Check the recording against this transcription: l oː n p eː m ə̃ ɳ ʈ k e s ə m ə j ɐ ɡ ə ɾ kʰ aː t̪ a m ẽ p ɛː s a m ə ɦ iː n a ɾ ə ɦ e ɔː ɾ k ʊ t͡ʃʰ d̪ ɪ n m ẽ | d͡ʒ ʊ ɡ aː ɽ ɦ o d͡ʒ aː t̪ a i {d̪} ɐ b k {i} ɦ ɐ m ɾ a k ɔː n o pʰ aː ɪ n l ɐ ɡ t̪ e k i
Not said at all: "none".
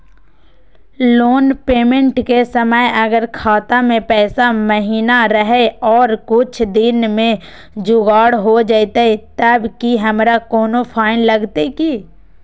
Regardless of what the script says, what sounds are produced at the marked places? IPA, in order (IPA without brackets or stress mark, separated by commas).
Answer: t̪, i